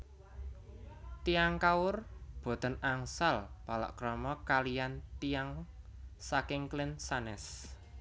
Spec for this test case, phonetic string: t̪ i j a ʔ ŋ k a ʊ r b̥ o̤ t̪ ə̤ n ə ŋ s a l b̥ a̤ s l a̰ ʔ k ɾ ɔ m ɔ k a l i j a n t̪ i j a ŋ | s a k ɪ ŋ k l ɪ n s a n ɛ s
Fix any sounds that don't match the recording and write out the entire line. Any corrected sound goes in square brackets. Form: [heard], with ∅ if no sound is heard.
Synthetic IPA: t̪ i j a [∅] ŋ k a ʊ r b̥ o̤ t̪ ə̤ n [a] ŋ s a l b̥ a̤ [∅] l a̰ ʔ k ɾ ɔ m ɔ k a l i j a n t̪ i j a ŋ | s a k ɪ ŋ k l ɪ n s a n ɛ s